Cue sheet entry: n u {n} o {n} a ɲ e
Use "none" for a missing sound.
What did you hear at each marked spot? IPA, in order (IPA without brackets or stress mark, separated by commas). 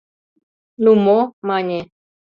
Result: m, m